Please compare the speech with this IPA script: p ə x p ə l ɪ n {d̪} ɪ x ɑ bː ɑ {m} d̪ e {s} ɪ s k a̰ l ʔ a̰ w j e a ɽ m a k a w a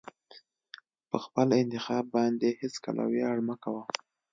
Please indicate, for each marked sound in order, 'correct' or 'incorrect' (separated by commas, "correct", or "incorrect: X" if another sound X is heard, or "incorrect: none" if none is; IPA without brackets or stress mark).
incorrect: t̪, incorrect: n, incorrect: h